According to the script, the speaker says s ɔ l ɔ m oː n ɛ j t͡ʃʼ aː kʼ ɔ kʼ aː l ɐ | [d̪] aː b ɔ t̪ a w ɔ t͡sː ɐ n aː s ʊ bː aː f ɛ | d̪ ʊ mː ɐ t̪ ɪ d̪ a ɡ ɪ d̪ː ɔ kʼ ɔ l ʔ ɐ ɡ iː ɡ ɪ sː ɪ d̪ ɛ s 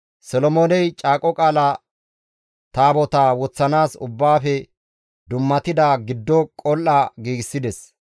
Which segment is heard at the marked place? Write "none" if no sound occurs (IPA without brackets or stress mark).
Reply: t̪